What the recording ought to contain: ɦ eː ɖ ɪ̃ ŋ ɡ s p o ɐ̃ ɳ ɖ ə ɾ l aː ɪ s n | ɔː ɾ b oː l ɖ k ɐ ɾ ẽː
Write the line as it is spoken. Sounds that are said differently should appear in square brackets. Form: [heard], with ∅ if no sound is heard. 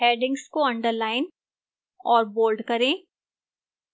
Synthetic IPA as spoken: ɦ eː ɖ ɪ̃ ŋ ɡ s [k] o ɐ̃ ɳ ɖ ə ɾ l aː ɪ [∅] n | ɔː ɾ b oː l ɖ k ɐ ɾ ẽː